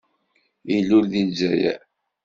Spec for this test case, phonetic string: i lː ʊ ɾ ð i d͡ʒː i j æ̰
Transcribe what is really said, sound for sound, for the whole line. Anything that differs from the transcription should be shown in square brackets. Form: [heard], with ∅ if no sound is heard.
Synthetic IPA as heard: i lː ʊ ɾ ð i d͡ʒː [æ] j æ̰